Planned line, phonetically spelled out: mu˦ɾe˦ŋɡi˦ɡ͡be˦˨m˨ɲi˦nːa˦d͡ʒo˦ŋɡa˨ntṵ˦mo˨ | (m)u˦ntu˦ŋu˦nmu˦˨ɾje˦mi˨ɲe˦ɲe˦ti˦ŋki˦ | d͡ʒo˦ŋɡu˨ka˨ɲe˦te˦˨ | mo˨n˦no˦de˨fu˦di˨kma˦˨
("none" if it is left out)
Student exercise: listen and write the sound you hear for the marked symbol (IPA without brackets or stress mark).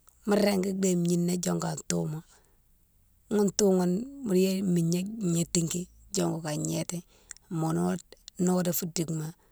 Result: ŋ